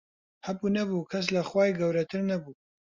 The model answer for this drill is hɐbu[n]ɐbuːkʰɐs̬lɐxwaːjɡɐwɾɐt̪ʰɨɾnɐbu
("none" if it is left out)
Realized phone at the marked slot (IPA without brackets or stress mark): n